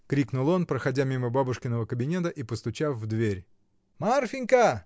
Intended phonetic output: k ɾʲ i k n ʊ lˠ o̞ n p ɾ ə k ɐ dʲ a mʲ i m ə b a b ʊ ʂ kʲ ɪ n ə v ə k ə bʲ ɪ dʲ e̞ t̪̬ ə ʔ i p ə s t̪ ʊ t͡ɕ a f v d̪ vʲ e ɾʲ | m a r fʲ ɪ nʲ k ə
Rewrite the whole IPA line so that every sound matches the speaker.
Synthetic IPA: k ɾʲ i k n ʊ lˠ o̞ n p ɾ ə x ɐ dʲ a mʲ i m ə b a b ʊ ʂ kʲ ɪ n ə v ə k ə bʲ ɪ nʲ e̞ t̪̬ ə ʔ i p ə s t̪ ʊ t͡ɕ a f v d̪ vʲ e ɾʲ | m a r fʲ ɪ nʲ k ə

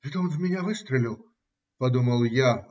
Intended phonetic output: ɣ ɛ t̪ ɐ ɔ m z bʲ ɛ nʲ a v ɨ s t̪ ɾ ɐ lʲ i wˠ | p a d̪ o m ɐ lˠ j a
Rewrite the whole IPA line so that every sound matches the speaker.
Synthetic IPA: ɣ ɛ t̪ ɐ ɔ n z mʲ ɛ nʲ a v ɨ s t̪ ɾ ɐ lʲ i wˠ | p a d̪ u m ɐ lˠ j a

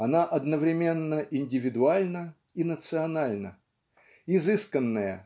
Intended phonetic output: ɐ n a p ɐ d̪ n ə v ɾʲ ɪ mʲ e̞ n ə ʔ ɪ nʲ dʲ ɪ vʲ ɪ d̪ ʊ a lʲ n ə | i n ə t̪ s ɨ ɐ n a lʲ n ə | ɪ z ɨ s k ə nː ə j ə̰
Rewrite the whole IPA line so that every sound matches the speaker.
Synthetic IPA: ɐ n a ʔ ɐ d̪ n ə v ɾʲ ɪ mʲ e̞ nː ə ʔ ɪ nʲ dʲ ɪ vʲ ɪ d̪ ʊ a lʲ n ə | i n ə t̪ s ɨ ɐ n a lʲ n ə | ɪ z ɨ s k ə nː ə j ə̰

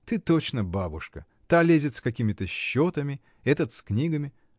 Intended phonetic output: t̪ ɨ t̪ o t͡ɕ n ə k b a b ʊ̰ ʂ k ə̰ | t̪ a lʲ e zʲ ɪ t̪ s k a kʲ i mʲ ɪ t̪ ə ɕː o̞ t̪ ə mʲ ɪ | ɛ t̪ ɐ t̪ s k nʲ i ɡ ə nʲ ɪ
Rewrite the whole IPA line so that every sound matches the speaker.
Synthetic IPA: t̪ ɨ t̪ o t͡ɕ n ə b a b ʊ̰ ʂ k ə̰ | t̪ a lʲ e zʲ ɪ t̪ s k ɐ kʲ i mʲ ɪ t̪ ə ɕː o̞ t̪ ə mʲ ɪ | ɛ t̪ ə t̪ s k nʲ i ɡ ə mʲ ɪ

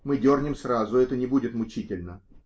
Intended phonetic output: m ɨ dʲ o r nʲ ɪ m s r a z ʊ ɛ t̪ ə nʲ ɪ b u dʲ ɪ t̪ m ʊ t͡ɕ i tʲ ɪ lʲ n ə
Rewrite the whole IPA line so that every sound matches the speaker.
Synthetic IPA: m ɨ dʲ o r nʲ ɪ m s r a z ʊ ɛ t̪ ə nʲ ɪ b u dʲ ɪ t̪ m ʊ t͡ɕ i tʲ ɪ lʲ n ə

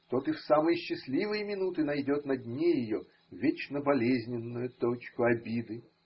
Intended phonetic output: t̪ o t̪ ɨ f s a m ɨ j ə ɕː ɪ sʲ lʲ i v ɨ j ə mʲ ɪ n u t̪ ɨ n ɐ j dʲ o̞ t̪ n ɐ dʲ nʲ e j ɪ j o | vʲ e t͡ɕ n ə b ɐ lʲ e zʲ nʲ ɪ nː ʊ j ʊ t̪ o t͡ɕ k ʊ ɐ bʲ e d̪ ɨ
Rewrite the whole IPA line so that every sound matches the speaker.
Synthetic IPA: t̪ o t̪ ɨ f s a m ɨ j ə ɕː ɪ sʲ lʲ i v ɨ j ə mʲ ɪ n u t̪ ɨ n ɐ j dʲ o̞ t̪ n ɐ dʲ nʲ e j ɪ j o | vʲ e t͡ɕ n ə b ɐ lʲ e zʲ nʲ ɪ nː ʊ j ʊ t̪ o t͡ɕ k ʊ ɐ bʲ i d̪ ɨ

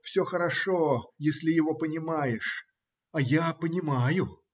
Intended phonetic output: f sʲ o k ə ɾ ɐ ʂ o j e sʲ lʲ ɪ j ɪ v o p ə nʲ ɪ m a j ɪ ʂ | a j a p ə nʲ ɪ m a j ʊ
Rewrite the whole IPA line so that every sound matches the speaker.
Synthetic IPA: f sʲ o x ə ɾ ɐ ʂ o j e sʲ lʲ ɪ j ɪ v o p ə nʲ ɪ m a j ɪ ʂ | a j a p ə nʲ ɪ m a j ʊ

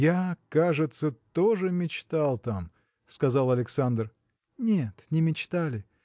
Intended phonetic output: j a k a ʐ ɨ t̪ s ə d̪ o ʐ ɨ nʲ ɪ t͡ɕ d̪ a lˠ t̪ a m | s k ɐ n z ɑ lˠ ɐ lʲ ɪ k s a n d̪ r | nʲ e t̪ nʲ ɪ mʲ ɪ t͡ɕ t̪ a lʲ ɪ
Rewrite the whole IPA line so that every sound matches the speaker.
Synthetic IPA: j a k a ʐ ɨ t̪ s ə t̪ o ʐ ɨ mʲ ɪ t͡ɕ t̪ a lˠ t̪ a m | s k ɐ z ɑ lˠ ɐ lʲ ɪ k s a n d̪ r | nʲ e t̪ nʲ ɪ mʲ ɪ t͡ɕ t̪ a lʲ ɪ

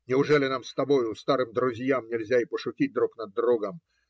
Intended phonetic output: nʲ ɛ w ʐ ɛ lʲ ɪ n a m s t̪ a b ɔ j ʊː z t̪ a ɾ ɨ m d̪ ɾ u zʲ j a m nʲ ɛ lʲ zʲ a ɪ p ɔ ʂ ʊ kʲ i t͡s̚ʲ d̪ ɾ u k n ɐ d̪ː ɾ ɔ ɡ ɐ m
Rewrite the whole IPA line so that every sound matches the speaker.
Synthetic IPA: nʲ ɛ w ʐ ɛ lʲ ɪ n a m s t̪ a b ɔ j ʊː s t̪ a ɾ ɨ m d̪ ɾ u zʲ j a m nʲ ɛ lʲ zʲ a i p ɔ ʂ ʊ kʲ i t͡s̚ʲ d̪ ɾ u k n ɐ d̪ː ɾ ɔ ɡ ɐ m

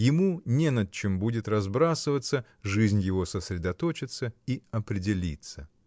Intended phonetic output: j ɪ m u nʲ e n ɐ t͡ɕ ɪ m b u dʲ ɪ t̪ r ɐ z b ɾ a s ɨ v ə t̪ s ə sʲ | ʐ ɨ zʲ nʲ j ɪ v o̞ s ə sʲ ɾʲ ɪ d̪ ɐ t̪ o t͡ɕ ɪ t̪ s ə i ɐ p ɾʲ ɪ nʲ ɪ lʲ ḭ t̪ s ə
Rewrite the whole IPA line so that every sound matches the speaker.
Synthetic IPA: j ɪ m u nʲ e n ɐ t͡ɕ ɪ m b u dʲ ɪ t̪ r ɐ z b ɾ a s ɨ v ə t̪ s ə | ʐ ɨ zʲ nʲ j ɪ v o̞ s ə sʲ ɾʲ ɪ d̪ ɐ t̪ o t͡ɕ ɪ t̪ s ə i ɐ p ɾʲ ɪ dʲ ɪ lʲ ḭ t̪ s ə

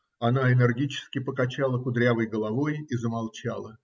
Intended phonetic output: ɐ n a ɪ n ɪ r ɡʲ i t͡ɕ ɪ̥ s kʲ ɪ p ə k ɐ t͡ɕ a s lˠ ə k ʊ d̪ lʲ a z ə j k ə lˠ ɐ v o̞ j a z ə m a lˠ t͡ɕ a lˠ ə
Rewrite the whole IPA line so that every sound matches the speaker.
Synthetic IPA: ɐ n a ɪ n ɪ r ɡʲ i t͡ɕ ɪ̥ s kʲ ɪ p ə k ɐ t͡ɕ a lˠ ə k ʊ d̪ ɾʲ a v ə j ɡ ə lˠ ɐ v o̞ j i z ə m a lˠ t͡ɕ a lˠ ə

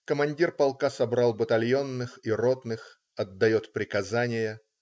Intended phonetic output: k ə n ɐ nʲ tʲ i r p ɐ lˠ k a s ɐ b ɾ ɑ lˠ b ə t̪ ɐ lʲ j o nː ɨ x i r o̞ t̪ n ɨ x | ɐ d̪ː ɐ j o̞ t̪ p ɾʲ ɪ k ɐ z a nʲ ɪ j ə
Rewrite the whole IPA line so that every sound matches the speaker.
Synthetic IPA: k ə m ɐ nʲ dʲ i r p ɐ lˠ k a s ɐ b ɾ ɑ lˠ b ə t̪ ɐ lʲ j o nː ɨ x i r o̞ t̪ n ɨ x | ɐ d̪ː ɐ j o̞ t̪ p ɾʲ ɪ k ɐ z a nʲ ɪ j ə

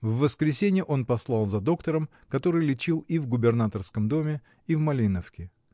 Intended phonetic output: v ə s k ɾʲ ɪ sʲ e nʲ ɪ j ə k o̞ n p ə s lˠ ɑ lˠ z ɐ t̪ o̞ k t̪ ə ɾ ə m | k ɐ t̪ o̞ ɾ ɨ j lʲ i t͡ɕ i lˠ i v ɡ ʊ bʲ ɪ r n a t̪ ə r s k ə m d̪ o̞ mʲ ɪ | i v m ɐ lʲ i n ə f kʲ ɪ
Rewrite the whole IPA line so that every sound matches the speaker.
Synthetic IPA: vː ə s k ɾʲ ɪ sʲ e nʲ ɪ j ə ʔ o̞ n p ɐ s lˠ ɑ lˠ z ɐ d̪ o̞ k t̪ ə ɾ ə m | k ɐ t̪ o̞ ɾ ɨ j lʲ ɪ t͡ɕ i lˠ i v ɡ ʊ bʲ ɪ r n a t̪ ə r s k ə m d̪ o̞ mʲ ɪ | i v m ɐ lʲ i n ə f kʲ ɪ

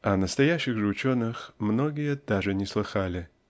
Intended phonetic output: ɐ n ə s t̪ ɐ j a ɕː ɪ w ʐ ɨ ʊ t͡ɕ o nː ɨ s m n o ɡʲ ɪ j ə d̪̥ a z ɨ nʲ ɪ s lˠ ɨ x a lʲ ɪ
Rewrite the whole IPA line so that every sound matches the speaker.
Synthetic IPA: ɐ n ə s t̪ ɐ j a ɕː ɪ ɣ ʐ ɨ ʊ t͡ɕ o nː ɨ x m n o ɡʲ ɪ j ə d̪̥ a ʐ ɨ nʲ ɪ s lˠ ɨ x a lʲ ɪ

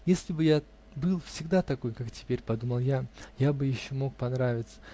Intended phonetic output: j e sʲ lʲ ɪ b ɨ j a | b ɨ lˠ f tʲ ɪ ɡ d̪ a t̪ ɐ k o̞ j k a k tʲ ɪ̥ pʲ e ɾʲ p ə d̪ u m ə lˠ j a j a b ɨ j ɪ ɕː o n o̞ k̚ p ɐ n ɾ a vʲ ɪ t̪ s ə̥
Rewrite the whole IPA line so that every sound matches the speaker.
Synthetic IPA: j e sʲ lʲ ɪ b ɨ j a | b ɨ lˠ f sʲ ɪ ɡ d̪ a t̪ ɐ k o̞ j k a k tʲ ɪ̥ pʲ e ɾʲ p ɐ d̪ u m ə lˠ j a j a b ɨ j ɪ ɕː o m o̞ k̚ p ɐ n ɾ a vʲ ɪ t̪ s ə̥

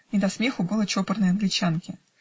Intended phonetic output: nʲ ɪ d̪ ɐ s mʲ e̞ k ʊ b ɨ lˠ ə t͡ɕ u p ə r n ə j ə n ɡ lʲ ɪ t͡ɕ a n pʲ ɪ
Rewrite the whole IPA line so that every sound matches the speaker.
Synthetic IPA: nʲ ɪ d̪ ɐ s mʲ e̞ x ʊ b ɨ lˠ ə t͡ɕ o p ə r n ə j ɐ n ɡ lʲ ɪ t͡ɕ a n kʲ ɪ

